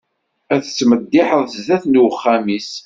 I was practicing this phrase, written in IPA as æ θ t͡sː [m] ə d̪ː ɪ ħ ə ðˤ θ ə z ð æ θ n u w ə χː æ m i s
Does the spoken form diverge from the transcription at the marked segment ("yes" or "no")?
no